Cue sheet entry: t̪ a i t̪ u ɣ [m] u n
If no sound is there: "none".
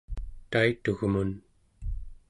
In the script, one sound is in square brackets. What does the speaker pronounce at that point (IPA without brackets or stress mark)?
m